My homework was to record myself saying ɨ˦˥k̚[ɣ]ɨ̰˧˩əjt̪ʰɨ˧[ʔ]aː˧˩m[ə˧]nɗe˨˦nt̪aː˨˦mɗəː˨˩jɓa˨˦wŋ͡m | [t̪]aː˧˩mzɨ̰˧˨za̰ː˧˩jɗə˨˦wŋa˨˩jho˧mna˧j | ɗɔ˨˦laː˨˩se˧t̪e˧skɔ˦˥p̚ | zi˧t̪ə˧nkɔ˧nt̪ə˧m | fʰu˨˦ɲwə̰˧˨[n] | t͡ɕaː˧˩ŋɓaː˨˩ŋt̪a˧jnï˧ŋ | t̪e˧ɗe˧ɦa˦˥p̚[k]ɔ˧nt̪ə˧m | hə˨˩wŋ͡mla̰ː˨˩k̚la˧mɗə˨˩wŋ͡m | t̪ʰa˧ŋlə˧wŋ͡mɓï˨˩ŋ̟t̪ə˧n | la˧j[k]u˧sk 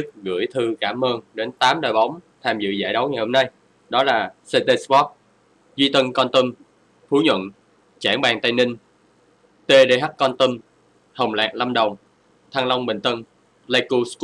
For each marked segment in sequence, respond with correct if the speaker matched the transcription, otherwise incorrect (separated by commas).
correct, incorrect, incorrect, incorrect, correct, correct, correct